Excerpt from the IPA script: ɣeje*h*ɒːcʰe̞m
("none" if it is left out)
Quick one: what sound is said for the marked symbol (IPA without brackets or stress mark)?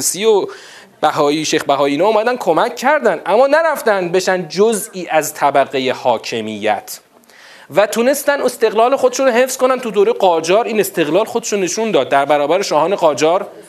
h